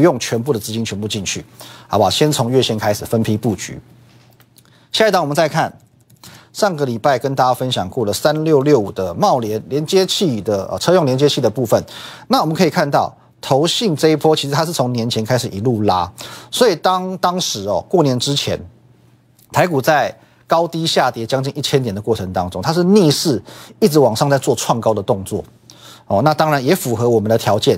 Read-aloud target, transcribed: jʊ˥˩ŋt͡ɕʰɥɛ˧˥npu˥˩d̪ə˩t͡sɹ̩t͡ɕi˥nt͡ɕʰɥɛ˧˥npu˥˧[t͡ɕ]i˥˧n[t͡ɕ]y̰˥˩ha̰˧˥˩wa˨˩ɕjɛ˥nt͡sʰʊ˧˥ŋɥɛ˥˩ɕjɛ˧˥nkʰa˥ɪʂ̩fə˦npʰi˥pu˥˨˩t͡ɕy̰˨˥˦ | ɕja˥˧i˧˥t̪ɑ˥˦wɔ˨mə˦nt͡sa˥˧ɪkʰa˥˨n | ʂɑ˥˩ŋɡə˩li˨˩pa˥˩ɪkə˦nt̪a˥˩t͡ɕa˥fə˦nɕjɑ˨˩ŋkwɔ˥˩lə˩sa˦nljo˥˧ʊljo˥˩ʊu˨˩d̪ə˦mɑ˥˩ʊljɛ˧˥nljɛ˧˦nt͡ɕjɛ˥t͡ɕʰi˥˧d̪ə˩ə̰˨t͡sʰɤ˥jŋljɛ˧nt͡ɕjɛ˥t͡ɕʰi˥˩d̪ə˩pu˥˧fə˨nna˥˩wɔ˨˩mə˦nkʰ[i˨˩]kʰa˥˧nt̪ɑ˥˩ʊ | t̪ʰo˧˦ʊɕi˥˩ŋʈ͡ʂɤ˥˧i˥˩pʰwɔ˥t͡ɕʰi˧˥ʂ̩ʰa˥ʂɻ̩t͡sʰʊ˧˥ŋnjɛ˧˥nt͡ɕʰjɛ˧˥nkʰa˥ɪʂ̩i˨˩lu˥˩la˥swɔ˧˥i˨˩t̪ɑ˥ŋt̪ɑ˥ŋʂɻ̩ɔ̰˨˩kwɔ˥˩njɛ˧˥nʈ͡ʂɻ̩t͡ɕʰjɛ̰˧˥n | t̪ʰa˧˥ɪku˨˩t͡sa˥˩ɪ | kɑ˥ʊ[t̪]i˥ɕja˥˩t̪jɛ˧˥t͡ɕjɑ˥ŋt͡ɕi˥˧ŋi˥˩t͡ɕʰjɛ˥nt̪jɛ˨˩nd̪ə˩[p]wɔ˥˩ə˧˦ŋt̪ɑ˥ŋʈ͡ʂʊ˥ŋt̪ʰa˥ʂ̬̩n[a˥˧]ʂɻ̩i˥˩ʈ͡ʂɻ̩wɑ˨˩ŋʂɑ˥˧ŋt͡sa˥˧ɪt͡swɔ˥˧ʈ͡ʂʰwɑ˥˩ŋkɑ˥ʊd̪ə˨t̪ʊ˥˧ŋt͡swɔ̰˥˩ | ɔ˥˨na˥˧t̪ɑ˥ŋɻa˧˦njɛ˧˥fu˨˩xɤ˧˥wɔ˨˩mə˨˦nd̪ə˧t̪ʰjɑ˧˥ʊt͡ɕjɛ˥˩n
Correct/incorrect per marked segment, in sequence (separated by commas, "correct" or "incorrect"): correct, incorrect, correct, correct, incorrect, incorrect